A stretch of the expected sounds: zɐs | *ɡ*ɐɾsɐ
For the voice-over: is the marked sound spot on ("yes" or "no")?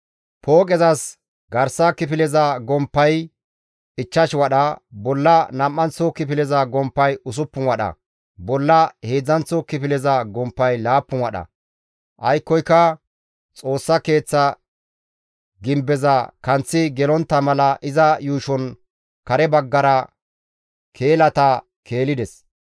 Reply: yes